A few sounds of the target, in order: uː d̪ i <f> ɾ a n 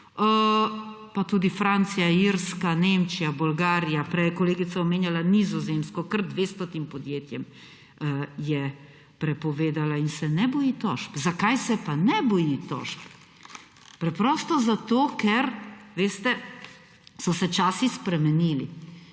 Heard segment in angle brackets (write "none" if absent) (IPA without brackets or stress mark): f